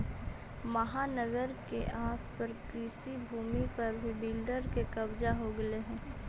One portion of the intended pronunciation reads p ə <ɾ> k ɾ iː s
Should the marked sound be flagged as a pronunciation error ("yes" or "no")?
no